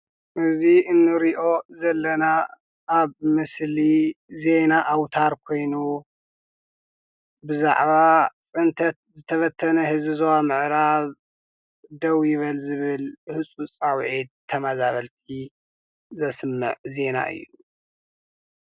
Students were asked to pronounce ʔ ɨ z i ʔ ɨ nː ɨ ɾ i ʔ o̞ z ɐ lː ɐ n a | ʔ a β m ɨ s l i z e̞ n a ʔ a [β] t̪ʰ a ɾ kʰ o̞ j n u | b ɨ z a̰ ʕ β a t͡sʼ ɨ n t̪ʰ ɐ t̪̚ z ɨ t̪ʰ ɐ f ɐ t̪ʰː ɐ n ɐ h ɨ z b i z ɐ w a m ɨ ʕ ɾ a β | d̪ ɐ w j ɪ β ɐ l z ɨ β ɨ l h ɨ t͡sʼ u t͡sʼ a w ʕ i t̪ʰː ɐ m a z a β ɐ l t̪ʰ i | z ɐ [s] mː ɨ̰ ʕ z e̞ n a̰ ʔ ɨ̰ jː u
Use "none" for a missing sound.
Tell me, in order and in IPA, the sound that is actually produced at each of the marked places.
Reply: w, s

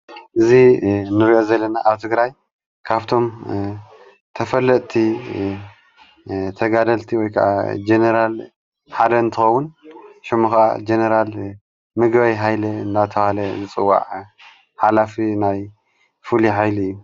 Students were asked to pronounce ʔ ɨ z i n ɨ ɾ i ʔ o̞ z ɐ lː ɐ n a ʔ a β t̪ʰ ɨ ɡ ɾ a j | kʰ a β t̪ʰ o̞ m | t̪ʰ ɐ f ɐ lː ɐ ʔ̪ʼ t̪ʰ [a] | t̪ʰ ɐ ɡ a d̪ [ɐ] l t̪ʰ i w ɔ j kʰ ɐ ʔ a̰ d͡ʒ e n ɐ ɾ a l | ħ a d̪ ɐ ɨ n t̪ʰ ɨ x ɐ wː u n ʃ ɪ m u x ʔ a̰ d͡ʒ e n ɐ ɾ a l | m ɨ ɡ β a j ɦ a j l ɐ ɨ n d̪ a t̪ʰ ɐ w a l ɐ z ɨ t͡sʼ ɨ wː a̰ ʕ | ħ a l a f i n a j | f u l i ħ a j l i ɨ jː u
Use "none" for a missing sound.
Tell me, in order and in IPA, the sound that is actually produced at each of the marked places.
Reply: i, ɐ

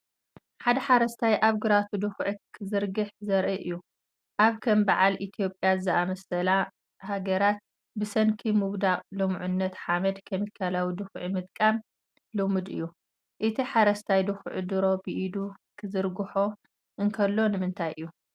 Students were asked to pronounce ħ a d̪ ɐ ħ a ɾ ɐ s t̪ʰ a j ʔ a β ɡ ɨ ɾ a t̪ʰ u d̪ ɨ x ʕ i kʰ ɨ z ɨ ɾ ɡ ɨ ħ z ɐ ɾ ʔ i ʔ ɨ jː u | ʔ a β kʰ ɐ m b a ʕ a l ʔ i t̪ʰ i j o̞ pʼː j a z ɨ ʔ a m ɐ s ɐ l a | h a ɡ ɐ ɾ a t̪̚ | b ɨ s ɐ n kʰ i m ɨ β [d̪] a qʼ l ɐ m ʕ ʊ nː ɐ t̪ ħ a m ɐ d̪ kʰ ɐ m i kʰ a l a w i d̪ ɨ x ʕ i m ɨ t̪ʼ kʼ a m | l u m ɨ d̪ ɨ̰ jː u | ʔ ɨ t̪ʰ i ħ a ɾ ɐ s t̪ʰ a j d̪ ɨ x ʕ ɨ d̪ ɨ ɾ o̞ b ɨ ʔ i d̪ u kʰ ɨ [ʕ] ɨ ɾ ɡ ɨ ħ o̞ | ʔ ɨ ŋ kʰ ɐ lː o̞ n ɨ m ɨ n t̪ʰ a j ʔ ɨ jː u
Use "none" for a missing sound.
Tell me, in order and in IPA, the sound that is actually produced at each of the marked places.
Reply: d̪, z

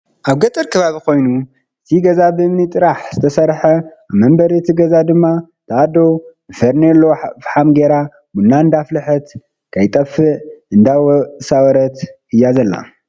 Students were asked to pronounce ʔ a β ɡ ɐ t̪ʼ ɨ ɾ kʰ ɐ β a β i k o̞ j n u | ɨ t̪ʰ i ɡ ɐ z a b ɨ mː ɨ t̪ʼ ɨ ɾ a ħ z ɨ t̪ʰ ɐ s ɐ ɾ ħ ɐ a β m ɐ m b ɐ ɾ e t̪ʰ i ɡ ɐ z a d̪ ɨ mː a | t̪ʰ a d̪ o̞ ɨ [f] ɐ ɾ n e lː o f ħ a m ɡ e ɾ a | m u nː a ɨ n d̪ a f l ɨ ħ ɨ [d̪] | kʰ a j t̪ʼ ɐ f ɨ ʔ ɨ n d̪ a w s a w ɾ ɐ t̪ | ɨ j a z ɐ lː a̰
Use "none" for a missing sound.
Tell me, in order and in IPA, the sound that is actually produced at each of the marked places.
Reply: f, t̪

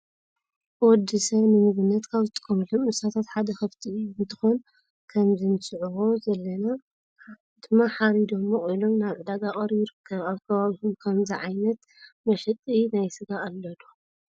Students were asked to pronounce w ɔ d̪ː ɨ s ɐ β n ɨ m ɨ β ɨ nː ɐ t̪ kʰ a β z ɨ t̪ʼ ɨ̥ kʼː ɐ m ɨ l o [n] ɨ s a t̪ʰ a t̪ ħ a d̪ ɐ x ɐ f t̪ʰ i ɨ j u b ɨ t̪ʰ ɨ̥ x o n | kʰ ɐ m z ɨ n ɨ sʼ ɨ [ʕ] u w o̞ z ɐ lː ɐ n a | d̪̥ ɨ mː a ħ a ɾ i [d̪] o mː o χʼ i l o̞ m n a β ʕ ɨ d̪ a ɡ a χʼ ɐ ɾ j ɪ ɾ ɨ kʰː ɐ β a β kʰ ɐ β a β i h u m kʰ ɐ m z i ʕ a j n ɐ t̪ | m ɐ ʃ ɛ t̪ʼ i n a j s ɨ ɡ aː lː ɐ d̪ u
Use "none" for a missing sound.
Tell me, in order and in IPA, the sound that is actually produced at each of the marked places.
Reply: m, ʕ, d̪

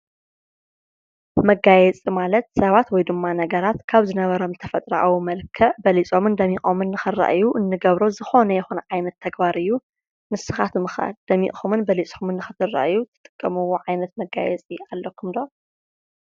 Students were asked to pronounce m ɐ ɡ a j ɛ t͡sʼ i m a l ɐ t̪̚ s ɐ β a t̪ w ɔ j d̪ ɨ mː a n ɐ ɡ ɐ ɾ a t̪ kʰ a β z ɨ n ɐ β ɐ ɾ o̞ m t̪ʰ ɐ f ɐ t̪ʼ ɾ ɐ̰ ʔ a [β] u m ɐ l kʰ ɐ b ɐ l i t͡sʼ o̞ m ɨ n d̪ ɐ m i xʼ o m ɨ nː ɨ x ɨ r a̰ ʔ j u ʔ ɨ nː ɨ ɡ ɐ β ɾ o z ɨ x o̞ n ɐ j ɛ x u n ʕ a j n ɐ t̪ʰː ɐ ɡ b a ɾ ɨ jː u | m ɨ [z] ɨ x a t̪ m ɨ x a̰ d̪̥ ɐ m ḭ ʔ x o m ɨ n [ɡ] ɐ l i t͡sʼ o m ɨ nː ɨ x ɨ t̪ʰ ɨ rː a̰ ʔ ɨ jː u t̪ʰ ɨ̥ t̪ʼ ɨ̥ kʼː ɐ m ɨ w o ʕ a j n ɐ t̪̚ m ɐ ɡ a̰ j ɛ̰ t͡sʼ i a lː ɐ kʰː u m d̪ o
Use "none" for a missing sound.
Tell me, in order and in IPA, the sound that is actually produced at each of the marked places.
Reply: w, s, b

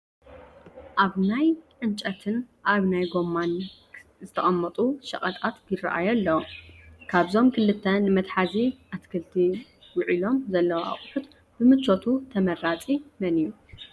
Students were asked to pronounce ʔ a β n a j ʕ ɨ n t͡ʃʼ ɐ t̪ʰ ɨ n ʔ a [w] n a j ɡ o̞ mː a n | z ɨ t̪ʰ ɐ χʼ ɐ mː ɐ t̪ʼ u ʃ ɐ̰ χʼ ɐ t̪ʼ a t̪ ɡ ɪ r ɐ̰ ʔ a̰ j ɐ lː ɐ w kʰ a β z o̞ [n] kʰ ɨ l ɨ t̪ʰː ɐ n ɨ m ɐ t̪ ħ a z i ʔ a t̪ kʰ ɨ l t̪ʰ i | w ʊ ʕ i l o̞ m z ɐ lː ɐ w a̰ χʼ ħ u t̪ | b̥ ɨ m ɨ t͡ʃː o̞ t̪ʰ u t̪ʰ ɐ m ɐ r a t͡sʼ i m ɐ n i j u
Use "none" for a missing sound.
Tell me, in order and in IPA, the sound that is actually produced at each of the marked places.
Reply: β, m

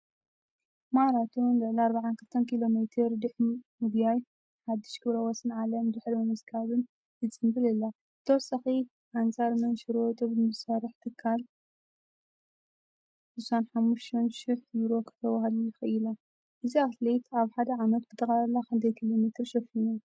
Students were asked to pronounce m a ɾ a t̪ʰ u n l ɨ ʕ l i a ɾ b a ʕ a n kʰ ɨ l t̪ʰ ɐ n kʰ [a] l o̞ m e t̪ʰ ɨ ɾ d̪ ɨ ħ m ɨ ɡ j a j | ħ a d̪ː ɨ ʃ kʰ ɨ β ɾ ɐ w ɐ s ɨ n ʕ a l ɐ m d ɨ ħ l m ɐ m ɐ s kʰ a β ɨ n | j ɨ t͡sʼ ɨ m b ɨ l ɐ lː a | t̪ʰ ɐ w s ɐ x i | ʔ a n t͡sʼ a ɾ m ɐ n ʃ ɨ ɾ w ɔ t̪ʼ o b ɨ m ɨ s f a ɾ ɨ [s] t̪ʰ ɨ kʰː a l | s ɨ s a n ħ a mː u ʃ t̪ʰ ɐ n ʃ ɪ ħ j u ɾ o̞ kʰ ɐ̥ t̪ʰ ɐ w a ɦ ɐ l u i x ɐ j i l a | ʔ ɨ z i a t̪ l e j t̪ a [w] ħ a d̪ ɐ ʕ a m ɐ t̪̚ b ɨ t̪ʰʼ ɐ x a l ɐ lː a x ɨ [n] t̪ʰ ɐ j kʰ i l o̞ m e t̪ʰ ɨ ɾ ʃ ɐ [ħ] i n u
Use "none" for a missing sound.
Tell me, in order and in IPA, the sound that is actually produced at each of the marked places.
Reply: i, ħ, β, n, f

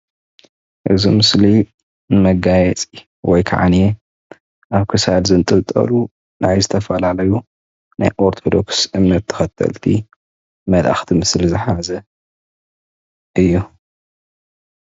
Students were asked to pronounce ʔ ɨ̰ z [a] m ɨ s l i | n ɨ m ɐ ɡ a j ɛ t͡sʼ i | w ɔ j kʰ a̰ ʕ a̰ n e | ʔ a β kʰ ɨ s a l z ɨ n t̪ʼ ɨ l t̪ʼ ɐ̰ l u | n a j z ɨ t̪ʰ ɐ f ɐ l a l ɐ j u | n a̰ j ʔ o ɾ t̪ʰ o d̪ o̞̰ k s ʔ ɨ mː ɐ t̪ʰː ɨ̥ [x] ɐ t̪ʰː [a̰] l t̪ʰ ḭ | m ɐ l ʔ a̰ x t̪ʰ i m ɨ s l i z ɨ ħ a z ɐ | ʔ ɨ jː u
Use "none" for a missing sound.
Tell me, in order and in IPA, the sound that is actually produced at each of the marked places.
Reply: i, x, ɐ̰

